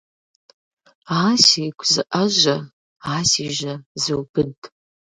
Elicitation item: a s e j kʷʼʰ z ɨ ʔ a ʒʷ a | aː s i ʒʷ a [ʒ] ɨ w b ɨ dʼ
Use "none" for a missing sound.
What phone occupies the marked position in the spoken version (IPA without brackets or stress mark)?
z